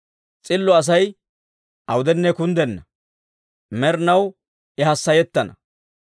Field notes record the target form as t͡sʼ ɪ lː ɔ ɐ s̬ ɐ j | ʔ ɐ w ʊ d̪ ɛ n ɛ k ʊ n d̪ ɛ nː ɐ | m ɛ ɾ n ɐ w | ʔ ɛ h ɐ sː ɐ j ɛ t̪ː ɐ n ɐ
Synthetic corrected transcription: t͡sʼ ɪ lː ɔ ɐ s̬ ɐ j | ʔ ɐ w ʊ d̪ ɛ nː ɛ k ʊ n d̪ ɛ nː ɐ | m ɛ ɾ n ɐ w | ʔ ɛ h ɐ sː ɐ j ɛ t̪ː ɐ n ɐ